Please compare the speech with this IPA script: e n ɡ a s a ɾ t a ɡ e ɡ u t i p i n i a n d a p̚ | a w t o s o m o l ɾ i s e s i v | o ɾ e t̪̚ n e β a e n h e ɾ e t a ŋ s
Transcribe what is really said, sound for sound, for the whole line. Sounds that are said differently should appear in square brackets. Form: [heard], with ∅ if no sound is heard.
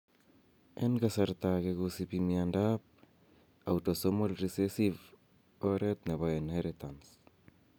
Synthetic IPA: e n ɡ a s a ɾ t a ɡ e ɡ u [s] i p i [m] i a n d a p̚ | a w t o s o m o l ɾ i s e s i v | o ɾ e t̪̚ n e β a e n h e ɾ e t a [n] s